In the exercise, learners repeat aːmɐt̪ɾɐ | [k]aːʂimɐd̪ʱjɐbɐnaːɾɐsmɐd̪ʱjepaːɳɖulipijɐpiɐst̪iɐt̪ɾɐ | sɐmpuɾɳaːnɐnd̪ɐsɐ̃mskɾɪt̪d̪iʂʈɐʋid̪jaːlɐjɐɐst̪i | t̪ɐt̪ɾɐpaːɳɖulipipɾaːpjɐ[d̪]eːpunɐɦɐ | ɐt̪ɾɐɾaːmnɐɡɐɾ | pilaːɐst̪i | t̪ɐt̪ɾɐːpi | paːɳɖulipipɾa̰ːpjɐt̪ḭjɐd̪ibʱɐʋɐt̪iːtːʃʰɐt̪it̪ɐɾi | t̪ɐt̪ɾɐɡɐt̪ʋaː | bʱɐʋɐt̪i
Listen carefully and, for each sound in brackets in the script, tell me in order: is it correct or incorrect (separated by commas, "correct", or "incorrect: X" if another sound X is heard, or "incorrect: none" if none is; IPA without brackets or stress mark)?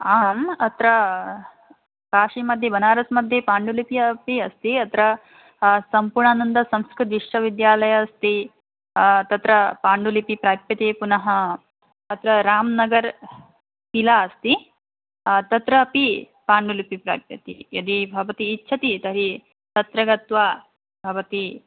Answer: correct, incorrect: t̪